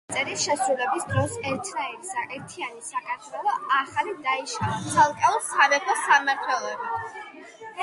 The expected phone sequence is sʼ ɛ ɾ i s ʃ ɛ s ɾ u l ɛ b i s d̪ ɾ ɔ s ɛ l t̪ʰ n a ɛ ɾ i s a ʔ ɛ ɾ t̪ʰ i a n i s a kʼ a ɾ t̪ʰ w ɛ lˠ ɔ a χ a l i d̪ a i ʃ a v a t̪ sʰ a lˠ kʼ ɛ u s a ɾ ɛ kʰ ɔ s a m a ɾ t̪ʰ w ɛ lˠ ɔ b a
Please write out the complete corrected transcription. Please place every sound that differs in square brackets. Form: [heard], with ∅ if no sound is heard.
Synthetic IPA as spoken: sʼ ɛ ɾ i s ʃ ɛ s ɾ u l ɛ b i s d̪ ɾ ɔ s ɛ [ɾ] t̪ʰ n a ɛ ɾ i s a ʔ ɛ ɾ t̪ʰ i a n i s a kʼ a ɾ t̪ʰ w ɛ lˠ ɔ a χ a l i d̪ a i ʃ a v a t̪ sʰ a lˠ kʼ ɛ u s a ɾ ɛ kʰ ɔ s a m a ɾ t̪ʰ w ɛ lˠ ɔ b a